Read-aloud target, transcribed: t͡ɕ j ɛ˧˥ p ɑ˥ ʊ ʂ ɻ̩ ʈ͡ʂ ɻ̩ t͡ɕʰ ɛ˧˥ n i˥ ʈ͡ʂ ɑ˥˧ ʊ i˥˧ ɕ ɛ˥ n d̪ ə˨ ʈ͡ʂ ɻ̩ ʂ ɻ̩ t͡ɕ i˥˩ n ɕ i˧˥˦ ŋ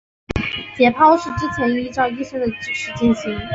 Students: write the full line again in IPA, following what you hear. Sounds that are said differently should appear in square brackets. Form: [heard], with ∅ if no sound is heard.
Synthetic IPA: t͡ɕ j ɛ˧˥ [pʰ] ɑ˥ ʊ ʂ ɻ̩ ʈ͡ʂ ɻ̩ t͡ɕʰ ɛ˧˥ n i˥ ʈ͡ʂ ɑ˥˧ ʊ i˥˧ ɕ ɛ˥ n d̪ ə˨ ʈ͡ʂ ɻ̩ ʂ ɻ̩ t͡ɕ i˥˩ n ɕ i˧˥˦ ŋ